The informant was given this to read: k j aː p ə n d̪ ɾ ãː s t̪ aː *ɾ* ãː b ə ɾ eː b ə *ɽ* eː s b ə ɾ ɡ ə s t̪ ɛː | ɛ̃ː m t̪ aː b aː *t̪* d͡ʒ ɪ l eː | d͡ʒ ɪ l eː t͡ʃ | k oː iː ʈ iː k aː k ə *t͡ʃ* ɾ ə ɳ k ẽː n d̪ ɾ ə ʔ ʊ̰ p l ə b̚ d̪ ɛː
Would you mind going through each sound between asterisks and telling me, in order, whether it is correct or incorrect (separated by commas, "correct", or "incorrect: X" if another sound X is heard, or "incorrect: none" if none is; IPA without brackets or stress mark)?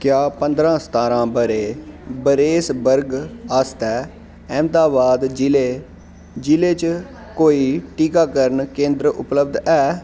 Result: correct, incorrect: ɾ, incorrect: d̪, incorrect: none